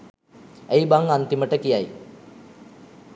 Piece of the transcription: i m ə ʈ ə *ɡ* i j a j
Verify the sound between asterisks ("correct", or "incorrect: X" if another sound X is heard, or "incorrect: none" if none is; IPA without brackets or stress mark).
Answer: incorrect: k